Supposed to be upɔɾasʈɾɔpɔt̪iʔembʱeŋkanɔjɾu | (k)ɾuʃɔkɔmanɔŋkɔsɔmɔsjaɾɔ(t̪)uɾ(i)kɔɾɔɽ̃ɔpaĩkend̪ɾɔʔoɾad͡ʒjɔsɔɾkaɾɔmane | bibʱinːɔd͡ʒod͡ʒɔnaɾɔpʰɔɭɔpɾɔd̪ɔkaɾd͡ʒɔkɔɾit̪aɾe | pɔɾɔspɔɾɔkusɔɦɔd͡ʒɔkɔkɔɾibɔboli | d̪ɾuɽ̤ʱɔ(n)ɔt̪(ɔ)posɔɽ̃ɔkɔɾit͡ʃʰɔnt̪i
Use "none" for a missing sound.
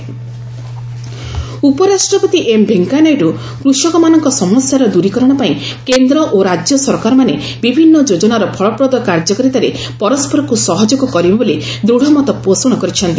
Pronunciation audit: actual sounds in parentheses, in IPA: k, d̪, i, m, ɔ

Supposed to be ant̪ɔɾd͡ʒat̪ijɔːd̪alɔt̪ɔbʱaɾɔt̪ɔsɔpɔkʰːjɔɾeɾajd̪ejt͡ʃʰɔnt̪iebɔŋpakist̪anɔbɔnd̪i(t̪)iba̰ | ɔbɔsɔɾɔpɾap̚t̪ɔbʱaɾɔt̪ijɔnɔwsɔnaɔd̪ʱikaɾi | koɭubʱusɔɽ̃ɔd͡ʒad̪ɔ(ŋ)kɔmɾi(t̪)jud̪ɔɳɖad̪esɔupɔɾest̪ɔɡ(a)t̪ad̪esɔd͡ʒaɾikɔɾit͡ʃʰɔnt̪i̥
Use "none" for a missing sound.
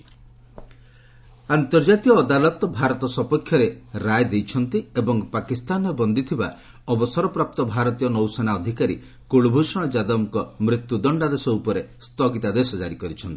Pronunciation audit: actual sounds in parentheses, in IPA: t̪ʰ, m, t̪, i

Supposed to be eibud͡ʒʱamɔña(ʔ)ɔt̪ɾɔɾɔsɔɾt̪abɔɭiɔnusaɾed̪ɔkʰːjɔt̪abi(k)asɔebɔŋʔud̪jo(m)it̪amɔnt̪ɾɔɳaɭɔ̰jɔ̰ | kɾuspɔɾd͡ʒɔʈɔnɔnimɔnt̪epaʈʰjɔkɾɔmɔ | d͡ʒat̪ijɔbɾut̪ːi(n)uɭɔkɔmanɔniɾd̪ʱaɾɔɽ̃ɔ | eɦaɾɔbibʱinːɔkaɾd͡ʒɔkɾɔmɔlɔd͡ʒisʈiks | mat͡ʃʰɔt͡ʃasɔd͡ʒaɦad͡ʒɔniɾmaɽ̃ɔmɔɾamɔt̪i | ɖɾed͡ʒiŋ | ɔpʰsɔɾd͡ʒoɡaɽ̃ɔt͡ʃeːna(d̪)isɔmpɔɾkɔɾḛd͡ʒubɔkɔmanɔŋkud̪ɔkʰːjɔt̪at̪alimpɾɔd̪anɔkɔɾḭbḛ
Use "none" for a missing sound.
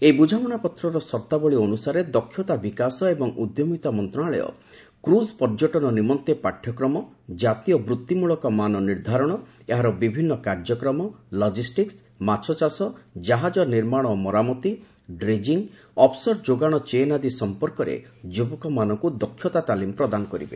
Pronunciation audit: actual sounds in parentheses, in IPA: p, k, m, m, d̪

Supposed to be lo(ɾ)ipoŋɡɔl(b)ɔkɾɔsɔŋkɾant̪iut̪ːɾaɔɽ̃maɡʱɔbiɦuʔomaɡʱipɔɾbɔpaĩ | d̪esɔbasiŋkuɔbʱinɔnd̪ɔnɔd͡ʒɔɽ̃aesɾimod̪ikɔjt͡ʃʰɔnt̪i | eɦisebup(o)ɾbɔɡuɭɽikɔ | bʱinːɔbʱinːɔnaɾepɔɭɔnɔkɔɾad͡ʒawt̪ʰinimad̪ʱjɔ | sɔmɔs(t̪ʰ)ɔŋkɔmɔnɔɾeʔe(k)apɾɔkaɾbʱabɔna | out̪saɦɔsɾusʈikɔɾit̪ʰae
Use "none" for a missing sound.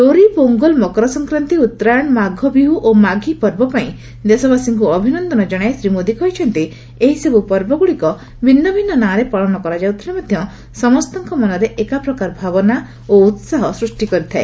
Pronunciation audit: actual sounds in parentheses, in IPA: ɾ, m, ɔ, t̪, k

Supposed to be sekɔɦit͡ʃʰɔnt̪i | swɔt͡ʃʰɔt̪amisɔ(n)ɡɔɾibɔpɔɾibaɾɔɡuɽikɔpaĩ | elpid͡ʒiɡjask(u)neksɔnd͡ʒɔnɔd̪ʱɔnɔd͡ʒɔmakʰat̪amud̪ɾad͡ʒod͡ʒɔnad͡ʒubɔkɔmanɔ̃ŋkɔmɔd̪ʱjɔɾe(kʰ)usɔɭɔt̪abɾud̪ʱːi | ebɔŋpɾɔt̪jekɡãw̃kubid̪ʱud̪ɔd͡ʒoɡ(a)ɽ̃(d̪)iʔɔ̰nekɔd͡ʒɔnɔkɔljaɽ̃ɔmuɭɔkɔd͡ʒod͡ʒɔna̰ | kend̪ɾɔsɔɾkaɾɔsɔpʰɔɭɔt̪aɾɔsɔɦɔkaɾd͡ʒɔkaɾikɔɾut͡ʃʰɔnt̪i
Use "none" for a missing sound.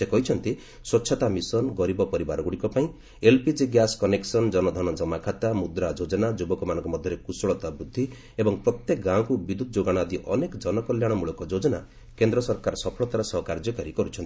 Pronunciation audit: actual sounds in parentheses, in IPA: n, ɔ, k, a, d̪

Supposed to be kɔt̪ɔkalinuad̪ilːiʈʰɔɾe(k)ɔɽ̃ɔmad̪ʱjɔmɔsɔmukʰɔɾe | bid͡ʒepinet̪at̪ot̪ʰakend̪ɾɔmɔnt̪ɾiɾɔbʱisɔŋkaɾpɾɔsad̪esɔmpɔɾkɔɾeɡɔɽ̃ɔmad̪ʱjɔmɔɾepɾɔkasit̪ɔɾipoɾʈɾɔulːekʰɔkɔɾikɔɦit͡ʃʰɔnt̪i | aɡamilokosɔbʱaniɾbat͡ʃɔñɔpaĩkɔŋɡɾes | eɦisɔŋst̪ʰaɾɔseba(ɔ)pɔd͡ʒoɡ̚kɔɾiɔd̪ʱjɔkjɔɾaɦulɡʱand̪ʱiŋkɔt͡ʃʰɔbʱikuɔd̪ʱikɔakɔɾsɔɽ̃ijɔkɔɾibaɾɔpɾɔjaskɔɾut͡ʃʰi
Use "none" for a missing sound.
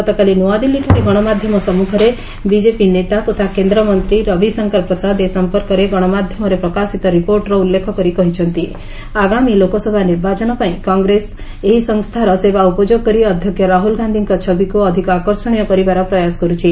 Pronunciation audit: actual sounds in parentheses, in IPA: ɡ, u

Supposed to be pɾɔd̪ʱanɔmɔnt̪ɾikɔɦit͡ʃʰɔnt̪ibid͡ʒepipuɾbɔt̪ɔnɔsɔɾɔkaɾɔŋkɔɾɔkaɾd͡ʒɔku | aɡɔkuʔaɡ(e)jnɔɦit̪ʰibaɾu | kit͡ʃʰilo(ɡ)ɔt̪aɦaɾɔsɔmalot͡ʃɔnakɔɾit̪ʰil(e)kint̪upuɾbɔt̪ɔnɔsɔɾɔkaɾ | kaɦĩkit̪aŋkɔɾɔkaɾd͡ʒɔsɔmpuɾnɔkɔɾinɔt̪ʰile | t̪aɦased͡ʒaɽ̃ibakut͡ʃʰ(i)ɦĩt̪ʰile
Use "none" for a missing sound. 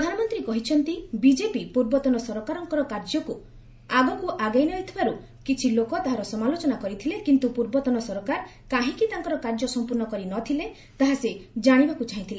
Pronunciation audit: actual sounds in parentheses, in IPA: a, k, e, a

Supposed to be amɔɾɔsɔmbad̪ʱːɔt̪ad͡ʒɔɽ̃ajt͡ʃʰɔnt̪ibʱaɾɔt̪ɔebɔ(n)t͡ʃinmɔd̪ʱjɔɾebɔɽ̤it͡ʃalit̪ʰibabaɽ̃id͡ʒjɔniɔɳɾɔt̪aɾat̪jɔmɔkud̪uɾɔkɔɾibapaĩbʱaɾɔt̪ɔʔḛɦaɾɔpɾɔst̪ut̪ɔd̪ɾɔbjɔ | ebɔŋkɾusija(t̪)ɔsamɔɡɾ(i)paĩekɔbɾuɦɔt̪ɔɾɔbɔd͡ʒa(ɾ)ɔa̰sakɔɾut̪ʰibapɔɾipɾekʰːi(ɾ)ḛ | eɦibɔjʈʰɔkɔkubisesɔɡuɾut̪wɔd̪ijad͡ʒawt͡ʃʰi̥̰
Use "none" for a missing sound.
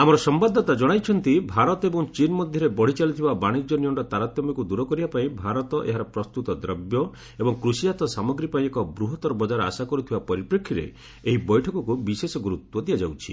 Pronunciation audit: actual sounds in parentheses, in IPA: ŋ, t̪, i, ɾ, ɾ

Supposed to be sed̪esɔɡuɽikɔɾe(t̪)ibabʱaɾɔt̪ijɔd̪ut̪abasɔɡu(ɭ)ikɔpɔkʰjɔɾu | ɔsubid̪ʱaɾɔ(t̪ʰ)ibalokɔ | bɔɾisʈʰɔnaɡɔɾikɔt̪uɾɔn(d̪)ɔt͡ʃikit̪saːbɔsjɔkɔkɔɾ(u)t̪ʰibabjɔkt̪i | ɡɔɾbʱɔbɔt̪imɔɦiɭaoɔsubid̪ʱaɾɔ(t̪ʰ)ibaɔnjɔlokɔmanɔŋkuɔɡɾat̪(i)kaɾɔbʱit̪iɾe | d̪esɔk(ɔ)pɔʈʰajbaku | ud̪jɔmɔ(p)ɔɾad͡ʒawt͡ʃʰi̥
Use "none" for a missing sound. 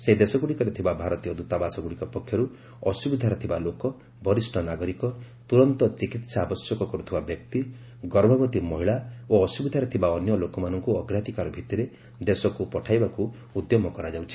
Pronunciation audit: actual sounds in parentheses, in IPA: t̪ʰ, ɽ, t̪ʰ, t̪, u, t̪ʰ, i, u, k

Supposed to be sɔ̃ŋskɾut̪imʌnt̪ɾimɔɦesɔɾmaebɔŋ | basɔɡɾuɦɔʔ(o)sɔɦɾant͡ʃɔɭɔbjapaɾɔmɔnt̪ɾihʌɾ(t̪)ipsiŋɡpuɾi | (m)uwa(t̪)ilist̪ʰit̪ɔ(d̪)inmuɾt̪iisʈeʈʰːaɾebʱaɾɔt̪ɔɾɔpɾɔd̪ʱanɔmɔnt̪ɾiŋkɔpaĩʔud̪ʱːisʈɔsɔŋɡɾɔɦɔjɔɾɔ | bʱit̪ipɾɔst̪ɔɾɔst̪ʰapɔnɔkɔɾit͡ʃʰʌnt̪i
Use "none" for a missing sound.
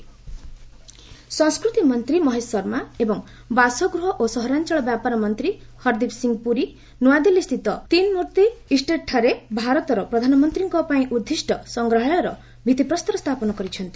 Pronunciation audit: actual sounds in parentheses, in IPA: o, d̪, n, d̪, t̪

